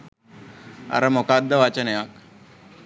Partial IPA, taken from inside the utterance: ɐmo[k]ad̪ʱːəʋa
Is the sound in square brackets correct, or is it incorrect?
correct